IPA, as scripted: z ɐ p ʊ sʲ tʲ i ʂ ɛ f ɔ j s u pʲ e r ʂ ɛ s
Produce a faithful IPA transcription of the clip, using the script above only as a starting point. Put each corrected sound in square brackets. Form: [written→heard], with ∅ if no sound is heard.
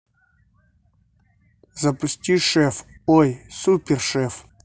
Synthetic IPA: z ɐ p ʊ sʲ tʲ i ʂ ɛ f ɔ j s u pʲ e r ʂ ɛ [s→f]